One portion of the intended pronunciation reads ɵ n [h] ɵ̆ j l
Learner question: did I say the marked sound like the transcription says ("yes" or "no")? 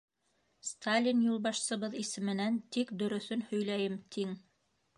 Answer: yes